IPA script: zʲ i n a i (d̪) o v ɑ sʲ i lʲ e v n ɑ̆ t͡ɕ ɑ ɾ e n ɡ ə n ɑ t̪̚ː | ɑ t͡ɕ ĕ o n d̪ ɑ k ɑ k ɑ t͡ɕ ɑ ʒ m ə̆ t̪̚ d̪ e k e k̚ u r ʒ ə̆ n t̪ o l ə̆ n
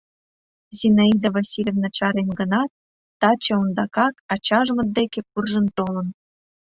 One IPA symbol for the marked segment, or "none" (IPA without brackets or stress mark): d̪